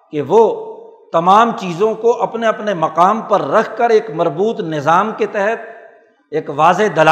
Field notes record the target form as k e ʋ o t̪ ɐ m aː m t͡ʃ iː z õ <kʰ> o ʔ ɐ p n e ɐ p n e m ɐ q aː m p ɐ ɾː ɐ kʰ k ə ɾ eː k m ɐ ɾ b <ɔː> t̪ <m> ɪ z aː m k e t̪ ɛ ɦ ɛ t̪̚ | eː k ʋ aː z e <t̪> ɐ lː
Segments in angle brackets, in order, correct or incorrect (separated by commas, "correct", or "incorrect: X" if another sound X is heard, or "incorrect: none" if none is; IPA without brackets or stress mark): incorrect: k, incorrect: uː, incorrect: n, incorrect: d̪